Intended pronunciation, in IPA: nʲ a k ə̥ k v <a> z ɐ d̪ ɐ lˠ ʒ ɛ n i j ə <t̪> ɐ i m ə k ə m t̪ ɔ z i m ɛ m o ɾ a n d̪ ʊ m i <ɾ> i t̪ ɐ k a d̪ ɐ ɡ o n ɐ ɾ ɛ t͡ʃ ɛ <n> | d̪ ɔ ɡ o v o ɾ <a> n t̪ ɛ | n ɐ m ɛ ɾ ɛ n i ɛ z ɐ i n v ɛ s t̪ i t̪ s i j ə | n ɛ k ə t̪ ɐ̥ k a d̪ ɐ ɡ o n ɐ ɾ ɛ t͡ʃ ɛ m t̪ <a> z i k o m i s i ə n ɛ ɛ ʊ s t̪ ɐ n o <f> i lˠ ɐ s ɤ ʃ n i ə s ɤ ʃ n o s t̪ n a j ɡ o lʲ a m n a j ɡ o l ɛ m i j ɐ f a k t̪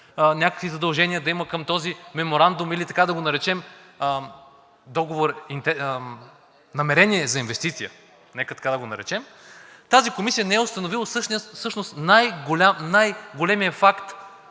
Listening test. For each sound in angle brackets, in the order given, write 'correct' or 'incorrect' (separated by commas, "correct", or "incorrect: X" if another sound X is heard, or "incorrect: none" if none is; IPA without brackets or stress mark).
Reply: incorrect: i, incorrect: d̪, incorrect: l, incorrect: m, incorrect: i, correct, incorrect: v